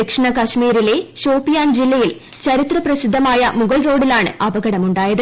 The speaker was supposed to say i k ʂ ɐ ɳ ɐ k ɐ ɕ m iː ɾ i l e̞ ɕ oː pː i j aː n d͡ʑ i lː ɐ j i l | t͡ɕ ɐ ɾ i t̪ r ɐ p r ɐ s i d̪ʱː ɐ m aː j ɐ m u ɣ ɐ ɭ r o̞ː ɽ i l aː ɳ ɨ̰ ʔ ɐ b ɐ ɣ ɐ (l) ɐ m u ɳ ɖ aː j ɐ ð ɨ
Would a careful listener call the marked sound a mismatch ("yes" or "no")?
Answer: yes